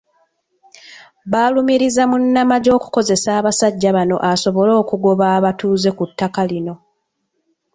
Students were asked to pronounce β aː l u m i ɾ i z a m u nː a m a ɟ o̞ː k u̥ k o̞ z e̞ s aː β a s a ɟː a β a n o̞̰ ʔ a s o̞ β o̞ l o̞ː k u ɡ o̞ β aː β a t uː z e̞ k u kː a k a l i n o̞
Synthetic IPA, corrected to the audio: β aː l u m i ɾ i z a m u nː a m a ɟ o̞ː k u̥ k o̞ z e̞ s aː β a s a ɟː a β a n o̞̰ ʔ a s o̞ β o̞ l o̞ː k u ɡ o̞ β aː β a t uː z e̞ k u tː a k a l i n o̞